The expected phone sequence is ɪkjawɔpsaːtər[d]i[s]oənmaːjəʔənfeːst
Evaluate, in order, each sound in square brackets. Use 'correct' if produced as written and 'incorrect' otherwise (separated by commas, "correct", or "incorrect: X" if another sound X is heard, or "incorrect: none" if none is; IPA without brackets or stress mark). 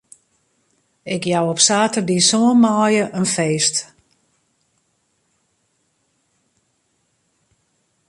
correct, correct